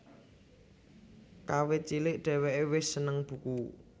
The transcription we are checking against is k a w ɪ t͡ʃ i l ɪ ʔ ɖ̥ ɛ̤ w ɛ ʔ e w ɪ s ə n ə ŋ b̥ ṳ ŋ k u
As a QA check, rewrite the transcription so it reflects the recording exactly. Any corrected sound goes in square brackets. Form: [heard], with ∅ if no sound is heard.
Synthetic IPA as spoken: k a w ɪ t͡ʃ i l ɪ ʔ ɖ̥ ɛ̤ w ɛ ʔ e w ɪ s ə n ə ŋ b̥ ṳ [∅] k u